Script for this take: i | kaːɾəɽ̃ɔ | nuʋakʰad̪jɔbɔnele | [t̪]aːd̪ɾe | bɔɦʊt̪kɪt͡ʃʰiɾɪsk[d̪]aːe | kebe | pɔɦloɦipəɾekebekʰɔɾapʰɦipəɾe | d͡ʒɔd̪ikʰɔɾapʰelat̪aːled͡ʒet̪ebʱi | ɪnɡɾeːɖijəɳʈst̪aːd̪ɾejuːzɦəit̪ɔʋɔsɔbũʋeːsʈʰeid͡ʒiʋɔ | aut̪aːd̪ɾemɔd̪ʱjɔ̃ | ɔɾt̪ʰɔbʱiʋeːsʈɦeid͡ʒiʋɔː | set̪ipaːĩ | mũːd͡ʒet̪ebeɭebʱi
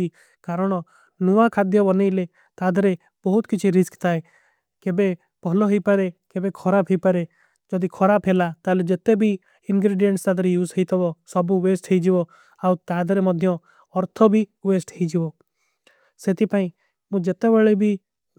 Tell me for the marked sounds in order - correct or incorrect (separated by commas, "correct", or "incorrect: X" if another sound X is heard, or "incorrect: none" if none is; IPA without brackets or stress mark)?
correct, incorrect: t̪